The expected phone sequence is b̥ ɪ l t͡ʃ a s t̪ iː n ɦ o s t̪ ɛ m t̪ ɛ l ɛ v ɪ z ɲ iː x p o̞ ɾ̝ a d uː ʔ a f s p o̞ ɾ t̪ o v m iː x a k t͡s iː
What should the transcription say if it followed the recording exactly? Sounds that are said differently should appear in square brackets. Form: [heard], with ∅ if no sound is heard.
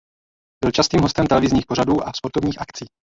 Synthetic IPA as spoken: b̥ ɪ l t͡ʃ a s t̪ iː [m] ɦ o s t̪ ɛ m t̪ ɛ l ɛ v ɪ z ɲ iː x p o̞ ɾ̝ a d uː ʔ a f s p o̞ ɾ t̪ o v [ɲ] iː x a k t͡s iː

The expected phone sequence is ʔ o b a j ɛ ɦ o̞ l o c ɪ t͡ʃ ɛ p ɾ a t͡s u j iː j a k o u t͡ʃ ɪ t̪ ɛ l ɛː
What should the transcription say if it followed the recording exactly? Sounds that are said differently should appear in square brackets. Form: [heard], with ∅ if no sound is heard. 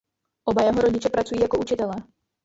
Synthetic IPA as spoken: ʔ o b a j ɛ ɦ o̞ [ɾ] o [ɟ] ɪ t͡ʃ ɛ p ɾ a t͡s u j iː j a k o u t͡ʃ ɪ t̪ ɛ l ɛː

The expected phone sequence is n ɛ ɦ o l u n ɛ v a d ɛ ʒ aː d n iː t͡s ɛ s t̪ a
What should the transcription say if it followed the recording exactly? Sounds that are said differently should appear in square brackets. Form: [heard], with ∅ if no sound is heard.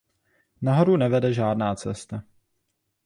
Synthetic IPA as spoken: n [a] ɦ o [ɾ] u n ɛ v [ɛ] d ɛ ʒ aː d n [aː] t͡s ɛ s t̪ a

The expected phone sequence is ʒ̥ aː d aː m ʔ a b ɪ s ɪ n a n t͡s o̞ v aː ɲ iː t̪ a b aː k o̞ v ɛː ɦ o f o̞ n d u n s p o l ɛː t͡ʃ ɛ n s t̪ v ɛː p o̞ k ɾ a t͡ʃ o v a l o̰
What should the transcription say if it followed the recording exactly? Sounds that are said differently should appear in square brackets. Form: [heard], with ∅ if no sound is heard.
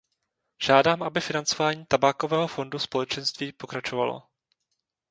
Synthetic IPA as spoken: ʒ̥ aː d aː m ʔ a b ɪ [f] ɪ n a n t͡s o̞ v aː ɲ iː t̪ a b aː k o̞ v ɛː ɦ o f o̞ n d u [∅] s p o l [ɛ] t͡ʃ ɛ n s t̪ v [iː] p o̞ k ɾ a t͡ʃ o v a l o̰

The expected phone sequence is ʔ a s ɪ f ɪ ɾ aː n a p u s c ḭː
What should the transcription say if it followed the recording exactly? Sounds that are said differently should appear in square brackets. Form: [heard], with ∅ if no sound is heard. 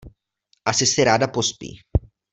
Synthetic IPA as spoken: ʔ a s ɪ [s] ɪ ɾ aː [d] a p [o] s [p] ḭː

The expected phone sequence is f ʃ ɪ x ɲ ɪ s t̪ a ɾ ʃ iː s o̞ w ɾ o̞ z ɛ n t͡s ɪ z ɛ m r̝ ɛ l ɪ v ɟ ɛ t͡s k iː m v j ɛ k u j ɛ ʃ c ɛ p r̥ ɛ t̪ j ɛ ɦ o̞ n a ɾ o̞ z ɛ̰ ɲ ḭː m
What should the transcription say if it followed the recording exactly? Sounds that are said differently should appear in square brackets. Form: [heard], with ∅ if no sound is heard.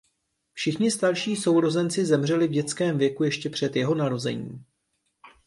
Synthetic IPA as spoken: f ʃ ɪ x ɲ ɪ s t̪ a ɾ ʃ iː s o̞ w ɾ o̞ z ɛ n t͡s ɪ z ɛ m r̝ ɛ l ɪ v ɟ ɛ t͡s k [ɛː] m v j ɛ k u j ɛ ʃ c ɛ p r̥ ɛ t̪ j ɛ ɦ o̞ n a ɾ o̞ z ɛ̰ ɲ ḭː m

